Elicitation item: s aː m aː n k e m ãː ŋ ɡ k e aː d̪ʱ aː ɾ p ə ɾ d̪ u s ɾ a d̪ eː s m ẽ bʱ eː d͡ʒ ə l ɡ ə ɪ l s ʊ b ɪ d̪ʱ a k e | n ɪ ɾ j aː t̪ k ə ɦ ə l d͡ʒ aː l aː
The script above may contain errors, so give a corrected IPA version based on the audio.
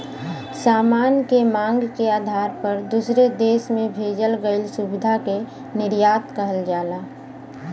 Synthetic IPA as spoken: s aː m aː n k e m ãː ŋ ɡ k e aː d̪ʱ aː ɾ p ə ɾ d̪ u s ɾ e d̪ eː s m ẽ bʱ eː d͡ʒ ə l ɡ ə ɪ l s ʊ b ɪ d̪ʱ a k e | n ɪ ɾ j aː t̪ k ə ɦ ə l d͡ʒ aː l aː